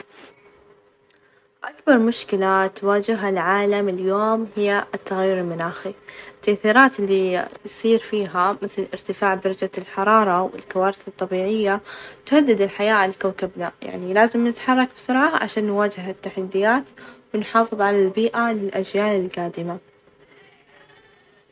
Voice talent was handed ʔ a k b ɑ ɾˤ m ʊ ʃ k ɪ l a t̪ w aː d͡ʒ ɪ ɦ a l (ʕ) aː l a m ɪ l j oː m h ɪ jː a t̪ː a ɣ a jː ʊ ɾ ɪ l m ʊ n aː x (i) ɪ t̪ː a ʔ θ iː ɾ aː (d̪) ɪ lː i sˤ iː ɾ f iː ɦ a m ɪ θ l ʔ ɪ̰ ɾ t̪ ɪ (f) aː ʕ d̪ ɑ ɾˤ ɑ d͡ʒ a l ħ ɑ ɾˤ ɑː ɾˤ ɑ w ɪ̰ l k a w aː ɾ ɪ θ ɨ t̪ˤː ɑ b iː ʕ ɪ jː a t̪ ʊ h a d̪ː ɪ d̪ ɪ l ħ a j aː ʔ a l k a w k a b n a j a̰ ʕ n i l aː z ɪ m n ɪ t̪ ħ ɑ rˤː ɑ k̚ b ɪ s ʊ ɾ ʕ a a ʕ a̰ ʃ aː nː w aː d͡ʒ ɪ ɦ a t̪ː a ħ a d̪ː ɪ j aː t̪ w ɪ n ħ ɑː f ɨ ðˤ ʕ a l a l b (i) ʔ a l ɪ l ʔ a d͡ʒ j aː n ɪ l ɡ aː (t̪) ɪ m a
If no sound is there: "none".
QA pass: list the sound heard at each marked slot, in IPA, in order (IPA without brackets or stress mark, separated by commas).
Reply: ʕ, i, t̪, f, iː, d̪